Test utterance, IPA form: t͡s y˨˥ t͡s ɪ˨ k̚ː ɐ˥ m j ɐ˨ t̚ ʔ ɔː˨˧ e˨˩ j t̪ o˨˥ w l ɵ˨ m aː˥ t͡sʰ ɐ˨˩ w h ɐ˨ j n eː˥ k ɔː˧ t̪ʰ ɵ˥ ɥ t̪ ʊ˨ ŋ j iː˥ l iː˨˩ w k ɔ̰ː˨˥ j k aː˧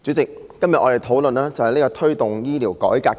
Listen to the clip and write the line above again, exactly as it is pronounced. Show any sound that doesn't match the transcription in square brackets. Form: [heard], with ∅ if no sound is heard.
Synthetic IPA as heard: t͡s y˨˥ t͡s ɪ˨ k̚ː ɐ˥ m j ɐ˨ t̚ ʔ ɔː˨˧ e˨˩ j [t̪ʰ] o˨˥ w l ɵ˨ [n] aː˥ [t͡s] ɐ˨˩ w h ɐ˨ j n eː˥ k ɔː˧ t̪ʰ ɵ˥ ɥ t̪ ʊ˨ ŋ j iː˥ l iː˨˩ w k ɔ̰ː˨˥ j k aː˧